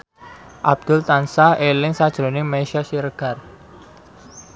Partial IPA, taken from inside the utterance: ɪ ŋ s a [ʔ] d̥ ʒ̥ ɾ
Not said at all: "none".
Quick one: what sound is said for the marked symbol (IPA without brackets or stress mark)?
none